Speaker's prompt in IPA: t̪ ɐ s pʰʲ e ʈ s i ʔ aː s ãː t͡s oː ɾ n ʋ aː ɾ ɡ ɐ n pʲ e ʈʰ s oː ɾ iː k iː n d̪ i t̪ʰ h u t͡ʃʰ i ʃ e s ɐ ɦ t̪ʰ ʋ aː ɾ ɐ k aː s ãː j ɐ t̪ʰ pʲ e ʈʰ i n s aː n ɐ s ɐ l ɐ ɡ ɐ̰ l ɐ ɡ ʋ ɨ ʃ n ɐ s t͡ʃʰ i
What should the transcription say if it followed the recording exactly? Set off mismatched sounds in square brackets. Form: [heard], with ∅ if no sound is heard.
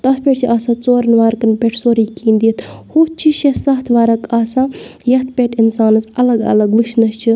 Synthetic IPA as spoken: t̪ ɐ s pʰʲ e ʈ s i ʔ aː s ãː t͡s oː ɾ n ʋ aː ɾ [k] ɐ n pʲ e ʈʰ s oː ɾ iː k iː n d̪ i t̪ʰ h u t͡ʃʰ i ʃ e s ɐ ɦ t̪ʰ ʋ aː ɾ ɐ k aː s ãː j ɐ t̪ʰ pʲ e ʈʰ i n s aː n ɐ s ɐ l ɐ ɡ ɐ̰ l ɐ ɡ ʋ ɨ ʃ n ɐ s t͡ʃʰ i